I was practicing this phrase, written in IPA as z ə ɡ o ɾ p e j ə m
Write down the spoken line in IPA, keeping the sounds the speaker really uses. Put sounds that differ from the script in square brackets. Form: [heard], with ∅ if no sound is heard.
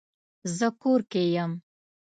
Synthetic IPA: z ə [k] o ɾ [k] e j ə m